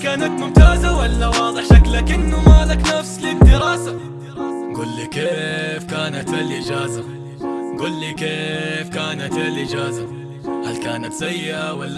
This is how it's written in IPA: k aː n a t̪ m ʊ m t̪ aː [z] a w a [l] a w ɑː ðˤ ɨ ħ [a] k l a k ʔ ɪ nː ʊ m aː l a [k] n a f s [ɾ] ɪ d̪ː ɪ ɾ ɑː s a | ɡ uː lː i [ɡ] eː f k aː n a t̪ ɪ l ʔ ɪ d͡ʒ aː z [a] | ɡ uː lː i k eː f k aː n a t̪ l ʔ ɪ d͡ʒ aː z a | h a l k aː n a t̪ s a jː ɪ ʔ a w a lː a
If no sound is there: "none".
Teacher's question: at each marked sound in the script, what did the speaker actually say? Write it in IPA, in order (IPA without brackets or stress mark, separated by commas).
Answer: z, lː, a, k, l, k, a